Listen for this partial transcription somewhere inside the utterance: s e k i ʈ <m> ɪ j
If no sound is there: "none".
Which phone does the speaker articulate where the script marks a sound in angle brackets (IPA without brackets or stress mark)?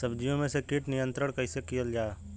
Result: n